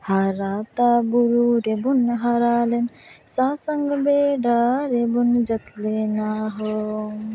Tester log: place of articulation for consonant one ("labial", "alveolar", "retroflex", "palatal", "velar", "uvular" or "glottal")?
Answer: glottal